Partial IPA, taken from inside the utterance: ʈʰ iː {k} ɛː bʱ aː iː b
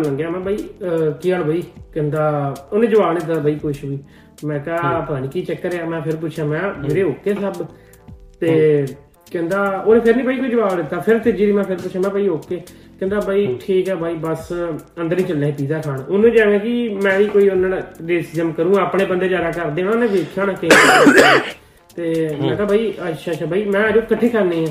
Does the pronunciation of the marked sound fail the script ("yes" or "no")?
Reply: no